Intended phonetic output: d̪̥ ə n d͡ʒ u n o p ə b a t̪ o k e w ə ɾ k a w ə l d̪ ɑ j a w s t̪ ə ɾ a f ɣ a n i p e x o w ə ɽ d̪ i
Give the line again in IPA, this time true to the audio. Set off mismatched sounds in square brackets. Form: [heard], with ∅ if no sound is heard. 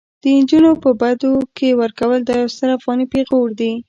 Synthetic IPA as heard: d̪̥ ə n d͡ʒ u n o p ə b a [d̪] o k e w ə ɾ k a w ə l d̪ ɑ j a w s t̪ ə ɾ a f ɣ [ɑ] n i p e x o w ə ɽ d̪ i

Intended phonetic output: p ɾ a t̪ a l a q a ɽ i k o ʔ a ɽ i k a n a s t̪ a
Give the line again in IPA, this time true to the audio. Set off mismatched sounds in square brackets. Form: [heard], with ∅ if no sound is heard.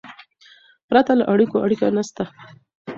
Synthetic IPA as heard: p ɾ a t̪ a l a [ʔ] a ɽ i k o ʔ a ɽ i k a n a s t̪ a

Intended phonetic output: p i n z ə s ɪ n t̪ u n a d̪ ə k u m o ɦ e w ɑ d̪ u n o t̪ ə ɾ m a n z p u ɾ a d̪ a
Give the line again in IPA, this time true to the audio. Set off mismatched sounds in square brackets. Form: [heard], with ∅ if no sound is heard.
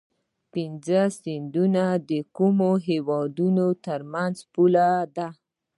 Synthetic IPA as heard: p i n z ə s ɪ n [d̪] u n a d̪ ə k u m o ɦ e w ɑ d̪ u n o t̪ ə ɾ m a n z p u [l] a d̪ a

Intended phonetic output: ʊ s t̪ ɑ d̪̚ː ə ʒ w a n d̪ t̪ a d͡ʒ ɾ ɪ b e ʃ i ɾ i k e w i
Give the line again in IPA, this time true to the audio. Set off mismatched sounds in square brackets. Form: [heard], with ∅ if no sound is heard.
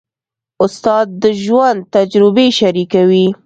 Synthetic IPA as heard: ʊ s t̪ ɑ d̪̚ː ə ʒ w a n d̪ t̪ a d͡ʒ ɾ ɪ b e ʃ [a] ɾ i k [a] w i

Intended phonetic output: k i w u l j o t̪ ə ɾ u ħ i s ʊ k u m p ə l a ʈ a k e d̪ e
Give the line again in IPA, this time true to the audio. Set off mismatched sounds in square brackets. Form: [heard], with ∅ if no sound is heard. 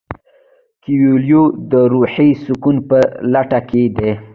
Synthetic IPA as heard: k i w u l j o [d̪] ə ɾ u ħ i s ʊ k u [n] p ə l a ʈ a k e d̪ e

